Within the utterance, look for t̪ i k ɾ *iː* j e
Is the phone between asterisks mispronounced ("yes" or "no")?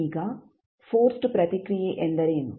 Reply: yes